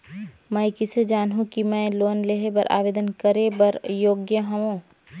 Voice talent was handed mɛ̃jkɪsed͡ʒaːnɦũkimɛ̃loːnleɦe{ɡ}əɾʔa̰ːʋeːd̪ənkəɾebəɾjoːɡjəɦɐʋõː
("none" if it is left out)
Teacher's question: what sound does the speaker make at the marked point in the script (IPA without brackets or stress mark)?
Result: b